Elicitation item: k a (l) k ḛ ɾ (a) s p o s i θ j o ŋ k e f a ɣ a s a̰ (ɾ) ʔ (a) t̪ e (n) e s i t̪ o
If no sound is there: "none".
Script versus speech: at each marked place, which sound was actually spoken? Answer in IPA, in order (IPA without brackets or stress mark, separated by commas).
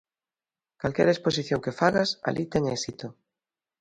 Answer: l, e, l, i, ŋ